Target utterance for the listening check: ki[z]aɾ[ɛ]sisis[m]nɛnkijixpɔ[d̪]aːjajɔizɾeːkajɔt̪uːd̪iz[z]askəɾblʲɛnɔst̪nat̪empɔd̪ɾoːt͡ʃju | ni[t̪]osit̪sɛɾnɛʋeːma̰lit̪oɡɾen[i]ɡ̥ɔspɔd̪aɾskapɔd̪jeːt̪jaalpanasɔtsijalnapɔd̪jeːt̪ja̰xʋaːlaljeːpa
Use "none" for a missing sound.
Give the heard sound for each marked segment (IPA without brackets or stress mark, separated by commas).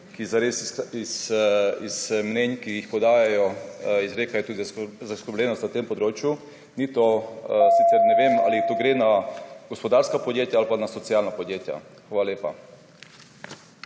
z, e, m, d̪, z, t̪, a